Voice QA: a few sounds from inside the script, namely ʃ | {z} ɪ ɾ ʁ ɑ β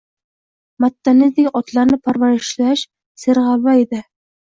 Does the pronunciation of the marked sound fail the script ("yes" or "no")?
yes